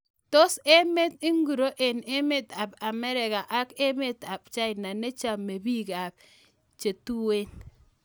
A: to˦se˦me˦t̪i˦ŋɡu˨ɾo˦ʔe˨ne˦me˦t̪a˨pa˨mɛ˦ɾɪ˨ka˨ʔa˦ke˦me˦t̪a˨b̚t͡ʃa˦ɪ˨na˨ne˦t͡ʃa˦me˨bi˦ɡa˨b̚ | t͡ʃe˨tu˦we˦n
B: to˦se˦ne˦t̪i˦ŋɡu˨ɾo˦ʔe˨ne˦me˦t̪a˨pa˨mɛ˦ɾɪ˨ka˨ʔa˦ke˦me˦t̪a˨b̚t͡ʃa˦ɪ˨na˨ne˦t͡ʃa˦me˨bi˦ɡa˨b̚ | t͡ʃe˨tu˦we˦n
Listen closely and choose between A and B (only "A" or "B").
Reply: A